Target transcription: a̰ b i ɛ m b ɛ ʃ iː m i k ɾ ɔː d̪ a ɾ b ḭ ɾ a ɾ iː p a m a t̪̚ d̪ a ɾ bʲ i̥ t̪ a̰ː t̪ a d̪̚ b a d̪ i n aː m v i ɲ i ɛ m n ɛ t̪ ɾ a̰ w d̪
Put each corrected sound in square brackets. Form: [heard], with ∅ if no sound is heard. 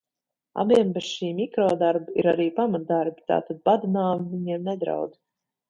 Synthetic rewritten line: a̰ b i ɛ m b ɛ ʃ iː m i k ɾ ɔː d̪ a ɾ b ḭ ɾ a ɾ iː p a m a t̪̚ d̪ a ɾ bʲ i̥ t̪ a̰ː t̪ a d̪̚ b a d̪ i n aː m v i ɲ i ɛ m n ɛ [d̪] ɾ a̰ w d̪